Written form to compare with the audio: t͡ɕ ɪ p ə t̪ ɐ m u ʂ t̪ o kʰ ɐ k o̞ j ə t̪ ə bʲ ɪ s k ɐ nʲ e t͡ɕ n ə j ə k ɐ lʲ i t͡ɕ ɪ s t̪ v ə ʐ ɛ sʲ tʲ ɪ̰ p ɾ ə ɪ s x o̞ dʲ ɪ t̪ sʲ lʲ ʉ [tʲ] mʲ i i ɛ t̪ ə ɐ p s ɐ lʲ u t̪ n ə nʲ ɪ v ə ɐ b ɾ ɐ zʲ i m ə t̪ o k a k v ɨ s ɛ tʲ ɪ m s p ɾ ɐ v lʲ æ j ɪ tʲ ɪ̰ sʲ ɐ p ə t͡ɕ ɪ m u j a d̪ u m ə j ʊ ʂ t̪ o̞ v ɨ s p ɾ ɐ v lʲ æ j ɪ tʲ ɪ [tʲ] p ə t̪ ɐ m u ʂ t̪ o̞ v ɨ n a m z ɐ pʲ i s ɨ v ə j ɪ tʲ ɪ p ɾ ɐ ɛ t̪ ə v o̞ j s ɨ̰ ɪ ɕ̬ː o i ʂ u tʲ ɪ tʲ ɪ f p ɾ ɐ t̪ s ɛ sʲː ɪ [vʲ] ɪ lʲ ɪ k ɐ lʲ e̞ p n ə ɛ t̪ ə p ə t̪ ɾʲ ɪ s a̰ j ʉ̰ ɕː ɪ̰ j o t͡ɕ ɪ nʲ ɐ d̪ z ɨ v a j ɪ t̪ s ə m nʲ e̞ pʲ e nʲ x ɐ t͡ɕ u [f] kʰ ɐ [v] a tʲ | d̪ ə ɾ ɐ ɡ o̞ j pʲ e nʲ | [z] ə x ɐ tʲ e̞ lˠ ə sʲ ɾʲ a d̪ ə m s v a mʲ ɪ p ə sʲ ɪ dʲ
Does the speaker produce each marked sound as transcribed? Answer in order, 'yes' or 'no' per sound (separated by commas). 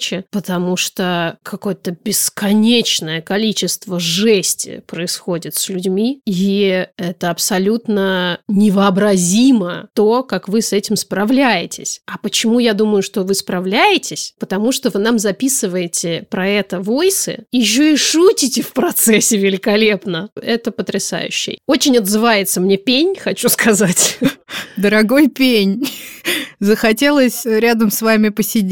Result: no, no, yes, no, no, yes